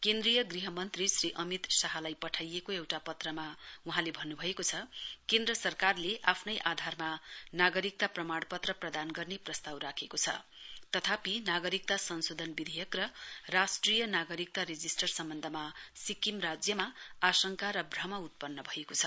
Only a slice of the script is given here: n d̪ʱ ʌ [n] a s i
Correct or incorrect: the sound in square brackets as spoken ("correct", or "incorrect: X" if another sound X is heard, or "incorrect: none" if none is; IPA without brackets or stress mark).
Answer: incorrect: m